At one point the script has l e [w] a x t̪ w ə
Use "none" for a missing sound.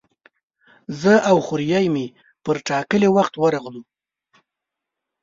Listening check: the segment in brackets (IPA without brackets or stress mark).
w